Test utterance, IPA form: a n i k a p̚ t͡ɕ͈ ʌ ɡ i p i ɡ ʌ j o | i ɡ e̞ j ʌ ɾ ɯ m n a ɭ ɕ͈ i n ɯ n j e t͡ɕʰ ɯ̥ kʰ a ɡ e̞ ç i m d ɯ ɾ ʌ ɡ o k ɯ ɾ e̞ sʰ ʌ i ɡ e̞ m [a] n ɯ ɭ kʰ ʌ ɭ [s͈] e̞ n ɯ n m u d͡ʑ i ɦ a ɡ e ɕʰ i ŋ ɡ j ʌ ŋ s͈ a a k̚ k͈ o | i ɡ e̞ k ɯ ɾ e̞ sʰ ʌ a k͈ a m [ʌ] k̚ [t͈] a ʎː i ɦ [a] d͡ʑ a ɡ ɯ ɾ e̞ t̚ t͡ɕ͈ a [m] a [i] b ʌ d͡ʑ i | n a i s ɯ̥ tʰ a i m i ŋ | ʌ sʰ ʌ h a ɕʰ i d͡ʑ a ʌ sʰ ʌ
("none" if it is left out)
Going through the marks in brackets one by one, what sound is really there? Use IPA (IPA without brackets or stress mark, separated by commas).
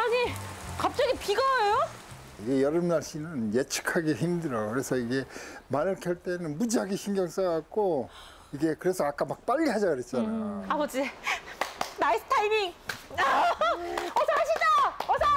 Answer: a, t͈, a, p͈, a, n, a